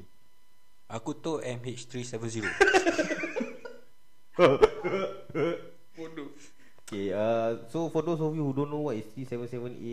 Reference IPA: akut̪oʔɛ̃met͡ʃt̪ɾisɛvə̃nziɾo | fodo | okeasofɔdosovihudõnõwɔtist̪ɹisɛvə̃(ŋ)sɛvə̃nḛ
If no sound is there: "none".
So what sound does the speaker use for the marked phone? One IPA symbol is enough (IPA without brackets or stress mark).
n